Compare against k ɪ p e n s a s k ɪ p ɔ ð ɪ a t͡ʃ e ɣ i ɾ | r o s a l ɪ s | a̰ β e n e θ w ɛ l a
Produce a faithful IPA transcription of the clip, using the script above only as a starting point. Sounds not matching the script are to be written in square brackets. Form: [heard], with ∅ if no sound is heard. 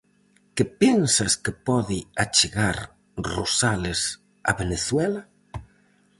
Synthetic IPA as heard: k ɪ p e n s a s k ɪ p ɔ ð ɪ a t͡ʃ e ɣ [a] ɾ | r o s a l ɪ s | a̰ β e n e θ w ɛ l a